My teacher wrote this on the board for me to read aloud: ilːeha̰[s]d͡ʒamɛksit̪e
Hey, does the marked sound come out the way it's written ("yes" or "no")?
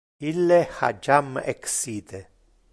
no